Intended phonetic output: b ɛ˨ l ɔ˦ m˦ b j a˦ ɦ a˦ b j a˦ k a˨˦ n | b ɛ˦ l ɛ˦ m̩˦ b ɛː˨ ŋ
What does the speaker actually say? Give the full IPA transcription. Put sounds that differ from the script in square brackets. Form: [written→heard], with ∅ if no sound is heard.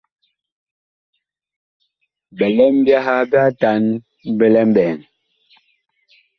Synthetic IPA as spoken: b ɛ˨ l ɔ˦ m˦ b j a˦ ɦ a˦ b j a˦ [k→t] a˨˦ n | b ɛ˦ l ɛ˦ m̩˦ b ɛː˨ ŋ